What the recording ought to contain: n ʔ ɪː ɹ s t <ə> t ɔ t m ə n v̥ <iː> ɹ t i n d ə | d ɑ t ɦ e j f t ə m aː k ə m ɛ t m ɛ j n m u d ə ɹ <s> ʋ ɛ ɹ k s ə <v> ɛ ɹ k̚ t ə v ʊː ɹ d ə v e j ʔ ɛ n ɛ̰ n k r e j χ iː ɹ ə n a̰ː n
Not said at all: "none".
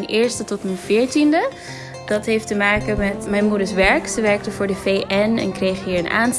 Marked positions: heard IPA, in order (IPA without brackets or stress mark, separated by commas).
ə, ɪː, s, ʋ